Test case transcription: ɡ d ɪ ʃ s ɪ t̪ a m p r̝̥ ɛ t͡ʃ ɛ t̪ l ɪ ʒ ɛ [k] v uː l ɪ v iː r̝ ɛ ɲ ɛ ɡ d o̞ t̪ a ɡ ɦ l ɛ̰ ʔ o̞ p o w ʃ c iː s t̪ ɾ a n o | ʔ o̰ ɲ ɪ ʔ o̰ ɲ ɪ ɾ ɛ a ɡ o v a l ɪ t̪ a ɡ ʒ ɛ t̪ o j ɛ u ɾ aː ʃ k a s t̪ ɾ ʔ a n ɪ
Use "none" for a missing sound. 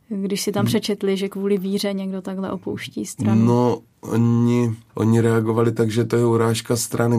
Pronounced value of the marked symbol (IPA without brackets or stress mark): k